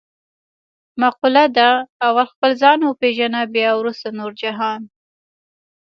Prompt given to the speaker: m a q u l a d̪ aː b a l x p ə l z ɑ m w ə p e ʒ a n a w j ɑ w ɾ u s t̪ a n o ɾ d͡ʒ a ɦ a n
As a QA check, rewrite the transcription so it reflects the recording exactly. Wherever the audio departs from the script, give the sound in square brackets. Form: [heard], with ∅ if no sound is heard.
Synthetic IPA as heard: m a q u l a d̪ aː [w] a l x p ə l z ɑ [n] w ə p e ʒ a n a [b] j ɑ w ɾ u s t̪ a n o ɾ d͡ʒ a ɦ [ɑ] n